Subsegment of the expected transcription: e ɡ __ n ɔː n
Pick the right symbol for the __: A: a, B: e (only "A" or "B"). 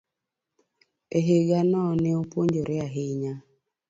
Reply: A